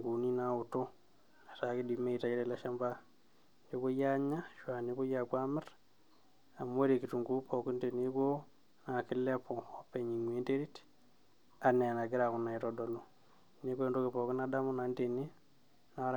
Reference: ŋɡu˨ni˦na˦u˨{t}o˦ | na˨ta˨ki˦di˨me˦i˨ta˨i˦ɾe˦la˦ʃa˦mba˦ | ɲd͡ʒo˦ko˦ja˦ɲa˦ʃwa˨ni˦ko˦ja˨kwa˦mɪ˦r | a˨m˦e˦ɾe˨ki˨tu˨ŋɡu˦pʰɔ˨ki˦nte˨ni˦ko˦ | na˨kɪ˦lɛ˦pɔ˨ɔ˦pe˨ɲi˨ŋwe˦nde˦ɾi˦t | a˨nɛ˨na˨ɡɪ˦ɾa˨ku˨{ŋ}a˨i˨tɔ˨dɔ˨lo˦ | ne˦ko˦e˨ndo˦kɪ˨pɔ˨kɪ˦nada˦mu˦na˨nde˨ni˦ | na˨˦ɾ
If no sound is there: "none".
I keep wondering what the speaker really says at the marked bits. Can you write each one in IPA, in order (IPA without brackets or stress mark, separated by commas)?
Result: t, n